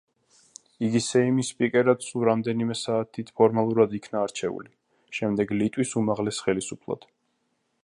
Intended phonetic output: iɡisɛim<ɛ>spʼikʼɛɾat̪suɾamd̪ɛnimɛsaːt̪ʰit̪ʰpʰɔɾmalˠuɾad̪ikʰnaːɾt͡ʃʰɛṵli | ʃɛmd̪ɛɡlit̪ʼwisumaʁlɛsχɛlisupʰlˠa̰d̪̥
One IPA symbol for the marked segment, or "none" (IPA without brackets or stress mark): i